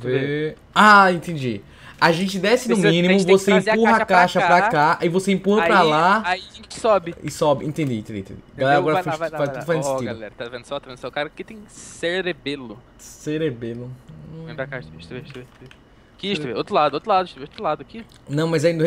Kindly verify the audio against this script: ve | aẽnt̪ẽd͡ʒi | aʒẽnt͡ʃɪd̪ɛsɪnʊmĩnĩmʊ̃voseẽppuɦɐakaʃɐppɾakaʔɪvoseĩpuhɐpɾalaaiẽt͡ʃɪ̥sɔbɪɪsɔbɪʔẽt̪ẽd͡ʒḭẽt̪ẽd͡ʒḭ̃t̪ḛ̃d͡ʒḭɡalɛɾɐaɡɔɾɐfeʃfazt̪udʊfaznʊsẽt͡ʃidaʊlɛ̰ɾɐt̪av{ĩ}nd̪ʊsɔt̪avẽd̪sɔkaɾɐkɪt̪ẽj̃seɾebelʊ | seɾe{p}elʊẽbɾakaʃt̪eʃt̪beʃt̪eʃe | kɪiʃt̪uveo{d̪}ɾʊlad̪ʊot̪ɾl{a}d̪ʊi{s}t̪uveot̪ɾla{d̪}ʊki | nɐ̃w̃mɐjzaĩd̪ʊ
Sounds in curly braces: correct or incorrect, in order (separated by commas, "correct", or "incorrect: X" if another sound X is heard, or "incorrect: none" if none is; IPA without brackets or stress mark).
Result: incorrect: ẽ, incorrect: b, incorrect: t̪, correct, incorrect: ʃ, correct